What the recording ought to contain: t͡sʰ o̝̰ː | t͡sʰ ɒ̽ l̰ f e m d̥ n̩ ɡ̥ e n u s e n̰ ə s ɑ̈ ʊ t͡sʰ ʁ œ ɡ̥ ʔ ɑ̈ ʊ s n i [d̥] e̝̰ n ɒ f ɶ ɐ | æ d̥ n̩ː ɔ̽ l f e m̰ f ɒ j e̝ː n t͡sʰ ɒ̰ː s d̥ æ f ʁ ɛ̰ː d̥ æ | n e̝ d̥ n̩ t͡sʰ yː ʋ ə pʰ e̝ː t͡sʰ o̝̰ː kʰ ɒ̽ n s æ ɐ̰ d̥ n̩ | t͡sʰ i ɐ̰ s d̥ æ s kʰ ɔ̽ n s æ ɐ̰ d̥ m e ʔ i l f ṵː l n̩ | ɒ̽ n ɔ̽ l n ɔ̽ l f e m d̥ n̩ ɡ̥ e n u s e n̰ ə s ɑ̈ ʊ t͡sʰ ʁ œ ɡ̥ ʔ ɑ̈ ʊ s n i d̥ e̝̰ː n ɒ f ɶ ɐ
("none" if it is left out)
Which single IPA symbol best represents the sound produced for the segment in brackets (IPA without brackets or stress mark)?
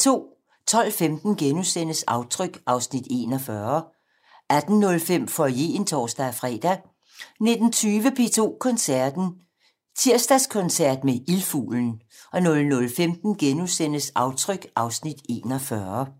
d̥